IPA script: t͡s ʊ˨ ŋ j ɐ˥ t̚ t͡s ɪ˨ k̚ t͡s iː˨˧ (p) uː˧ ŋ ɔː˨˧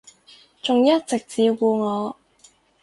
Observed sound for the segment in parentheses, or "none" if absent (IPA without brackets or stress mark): k